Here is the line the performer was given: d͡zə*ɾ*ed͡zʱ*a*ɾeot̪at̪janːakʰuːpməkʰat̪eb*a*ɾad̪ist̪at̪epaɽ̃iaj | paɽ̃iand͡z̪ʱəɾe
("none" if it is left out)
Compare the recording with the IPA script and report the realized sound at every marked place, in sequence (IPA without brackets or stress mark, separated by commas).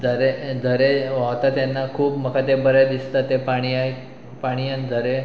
ɾ, ə, ə